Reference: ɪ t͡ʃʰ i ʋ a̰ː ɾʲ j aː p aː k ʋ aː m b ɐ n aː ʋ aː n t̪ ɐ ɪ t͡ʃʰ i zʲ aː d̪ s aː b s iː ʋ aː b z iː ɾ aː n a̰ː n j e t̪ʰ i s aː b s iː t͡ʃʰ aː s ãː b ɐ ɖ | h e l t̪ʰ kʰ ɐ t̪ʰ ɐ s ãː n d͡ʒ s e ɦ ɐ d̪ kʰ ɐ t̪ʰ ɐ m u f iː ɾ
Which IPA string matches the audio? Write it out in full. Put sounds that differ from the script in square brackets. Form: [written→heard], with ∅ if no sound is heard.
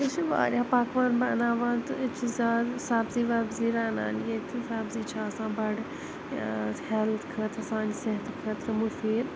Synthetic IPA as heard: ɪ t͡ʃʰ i ʋ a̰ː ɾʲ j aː p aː k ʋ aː [m→n] b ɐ n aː ʋ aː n t̪ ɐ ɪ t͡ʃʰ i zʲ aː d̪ s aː b [s→z] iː ʋ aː b z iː ɾ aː n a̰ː n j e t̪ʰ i s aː b [s→z] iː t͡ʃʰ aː s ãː b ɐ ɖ | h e l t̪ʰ kʰ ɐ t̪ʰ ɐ s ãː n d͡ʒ s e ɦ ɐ [d̪→t̪] kʰ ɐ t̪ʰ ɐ m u f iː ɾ